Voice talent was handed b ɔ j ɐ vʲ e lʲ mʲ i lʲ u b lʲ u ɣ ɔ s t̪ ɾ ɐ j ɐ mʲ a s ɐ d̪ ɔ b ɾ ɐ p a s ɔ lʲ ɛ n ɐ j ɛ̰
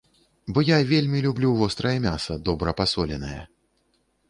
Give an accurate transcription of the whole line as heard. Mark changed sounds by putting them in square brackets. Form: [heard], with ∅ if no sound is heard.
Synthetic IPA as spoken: b ɔ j [a] vʲ e lʲ mʲ i lʲ u b lʲ u [v] ɔ s t̪ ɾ ɐ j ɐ mʲ a s ɐ d̪ ɔ b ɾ ɐ p a s ɔ lʲ ɛ n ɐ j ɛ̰